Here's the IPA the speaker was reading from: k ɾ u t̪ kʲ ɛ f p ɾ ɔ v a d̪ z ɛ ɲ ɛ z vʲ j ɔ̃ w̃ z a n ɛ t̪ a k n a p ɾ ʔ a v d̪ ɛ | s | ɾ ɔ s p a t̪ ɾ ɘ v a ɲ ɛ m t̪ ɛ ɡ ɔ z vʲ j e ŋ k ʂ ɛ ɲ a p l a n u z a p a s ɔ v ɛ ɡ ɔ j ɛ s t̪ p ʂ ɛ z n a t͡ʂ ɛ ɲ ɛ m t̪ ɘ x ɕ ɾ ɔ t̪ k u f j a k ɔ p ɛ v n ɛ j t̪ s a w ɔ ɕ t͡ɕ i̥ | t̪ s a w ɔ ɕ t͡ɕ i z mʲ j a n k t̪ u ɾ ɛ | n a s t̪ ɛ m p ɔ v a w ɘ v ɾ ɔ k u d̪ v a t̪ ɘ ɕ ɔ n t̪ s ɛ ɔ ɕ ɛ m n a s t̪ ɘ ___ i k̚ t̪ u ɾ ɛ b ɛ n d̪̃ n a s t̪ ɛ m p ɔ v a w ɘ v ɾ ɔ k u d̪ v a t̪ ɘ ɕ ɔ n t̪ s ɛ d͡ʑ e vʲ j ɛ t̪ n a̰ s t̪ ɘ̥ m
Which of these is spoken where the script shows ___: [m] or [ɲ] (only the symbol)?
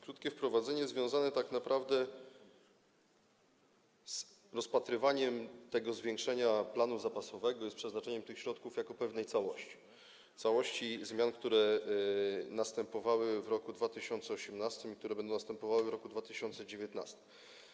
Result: m